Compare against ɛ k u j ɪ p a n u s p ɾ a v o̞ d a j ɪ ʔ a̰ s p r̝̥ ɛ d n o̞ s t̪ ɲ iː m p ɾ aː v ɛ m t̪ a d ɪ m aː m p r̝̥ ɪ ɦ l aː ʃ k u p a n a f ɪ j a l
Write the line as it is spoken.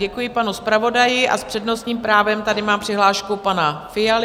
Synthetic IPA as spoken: ɛ k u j ɪ p a n u s p ɾ a v o̞ d a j ɪ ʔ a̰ s p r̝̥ ɛ d n o̞ s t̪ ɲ iː m p ɾ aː v ɛ m t̪ a d ɪ m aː m p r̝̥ ɪ ɦ l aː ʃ k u p a n a f ɪ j a l